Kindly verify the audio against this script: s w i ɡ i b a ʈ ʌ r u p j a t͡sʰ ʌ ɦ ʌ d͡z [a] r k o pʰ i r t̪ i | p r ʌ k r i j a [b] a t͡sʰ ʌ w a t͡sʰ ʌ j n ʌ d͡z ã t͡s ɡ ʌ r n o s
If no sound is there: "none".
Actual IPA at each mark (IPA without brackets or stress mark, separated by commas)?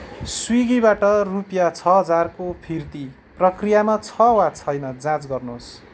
a, m